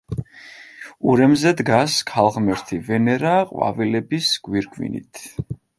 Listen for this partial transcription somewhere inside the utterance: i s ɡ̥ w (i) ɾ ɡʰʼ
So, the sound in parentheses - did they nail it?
yes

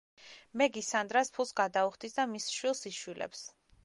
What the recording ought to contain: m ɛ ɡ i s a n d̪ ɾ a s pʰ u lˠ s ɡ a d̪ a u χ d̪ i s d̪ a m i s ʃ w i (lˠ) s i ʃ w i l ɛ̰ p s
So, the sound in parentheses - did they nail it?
yes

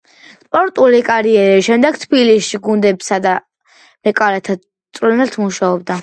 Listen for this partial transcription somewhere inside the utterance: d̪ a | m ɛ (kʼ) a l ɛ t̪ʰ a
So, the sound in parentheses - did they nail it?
yes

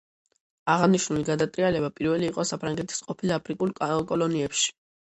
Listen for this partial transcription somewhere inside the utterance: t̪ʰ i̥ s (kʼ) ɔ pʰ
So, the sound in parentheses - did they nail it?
no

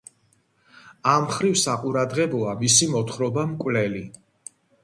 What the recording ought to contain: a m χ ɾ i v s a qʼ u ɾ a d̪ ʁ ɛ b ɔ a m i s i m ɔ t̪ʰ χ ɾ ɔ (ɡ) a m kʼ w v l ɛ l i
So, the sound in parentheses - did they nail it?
no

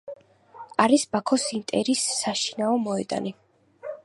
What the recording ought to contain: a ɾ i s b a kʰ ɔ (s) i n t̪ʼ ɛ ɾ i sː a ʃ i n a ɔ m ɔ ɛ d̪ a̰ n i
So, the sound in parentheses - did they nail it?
yes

